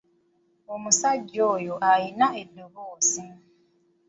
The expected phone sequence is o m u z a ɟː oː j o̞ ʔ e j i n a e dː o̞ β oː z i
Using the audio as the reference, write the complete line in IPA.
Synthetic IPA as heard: o m u s a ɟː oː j o̞ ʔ a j i n a e dː o̞ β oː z i